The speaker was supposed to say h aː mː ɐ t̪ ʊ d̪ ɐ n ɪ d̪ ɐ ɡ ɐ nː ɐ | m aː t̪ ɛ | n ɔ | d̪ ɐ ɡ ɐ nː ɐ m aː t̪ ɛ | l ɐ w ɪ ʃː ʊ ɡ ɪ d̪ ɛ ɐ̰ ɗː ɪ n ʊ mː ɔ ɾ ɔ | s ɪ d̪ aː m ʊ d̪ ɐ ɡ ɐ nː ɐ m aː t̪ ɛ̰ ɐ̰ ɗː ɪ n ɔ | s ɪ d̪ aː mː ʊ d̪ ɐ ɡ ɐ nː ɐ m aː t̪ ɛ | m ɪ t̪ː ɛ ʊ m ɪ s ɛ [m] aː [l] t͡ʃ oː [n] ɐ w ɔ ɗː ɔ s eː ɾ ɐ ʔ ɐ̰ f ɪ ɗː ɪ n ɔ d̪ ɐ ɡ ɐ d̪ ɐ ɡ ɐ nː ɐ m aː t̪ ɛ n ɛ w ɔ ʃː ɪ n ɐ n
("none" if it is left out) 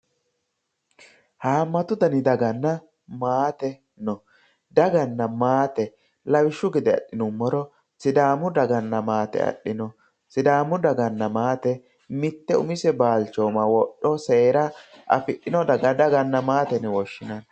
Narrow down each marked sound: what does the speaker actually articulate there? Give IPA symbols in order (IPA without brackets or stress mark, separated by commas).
b, l, m